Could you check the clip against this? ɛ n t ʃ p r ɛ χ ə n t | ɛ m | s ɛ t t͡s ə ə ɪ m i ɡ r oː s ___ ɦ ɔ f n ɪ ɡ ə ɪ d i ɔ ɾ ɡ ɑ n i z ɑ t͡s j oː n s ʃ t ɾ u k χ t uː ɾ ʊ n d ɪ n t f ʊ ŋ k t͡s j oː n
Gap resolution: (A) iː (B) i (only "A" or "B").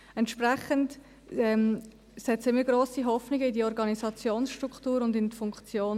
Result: B